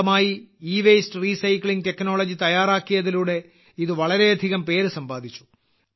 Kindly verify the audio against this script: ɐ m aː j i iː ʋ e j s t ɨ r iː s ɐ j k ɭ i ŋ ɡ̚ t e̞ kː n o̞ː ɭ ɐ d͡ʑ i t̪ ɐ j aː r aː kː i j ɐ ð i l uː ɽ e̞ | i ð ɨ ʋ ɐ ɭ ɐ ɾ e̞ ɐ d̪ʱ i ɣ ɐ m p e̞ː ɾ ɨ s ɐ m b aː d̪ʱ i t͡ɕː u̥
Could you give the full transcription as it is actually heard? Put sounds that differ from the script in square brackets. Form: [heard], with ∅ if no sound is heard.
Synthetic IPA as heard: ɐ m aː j i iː ʋ e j s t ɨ r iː s ɐ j k ɭ i ŋ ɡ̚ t e̞ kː n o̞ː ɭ ɐ d͡ʑ i t̪ ɐ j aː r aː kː i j ɐ ð i l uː ɽ e̞ | i ð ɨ ʋ ɐ ɭ ɐ ɾ e̞ ɐ d̪ʱ i ɣ ɐ m p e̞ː ɾ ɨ s ɐ m b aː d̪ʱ i t͡ɕː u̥